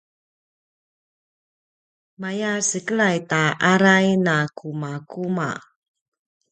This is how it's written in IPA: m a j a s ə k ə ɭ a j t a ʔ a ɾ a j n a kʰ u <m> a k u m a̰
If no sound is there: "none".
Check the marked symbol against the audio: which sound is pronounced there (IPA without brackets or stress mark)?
m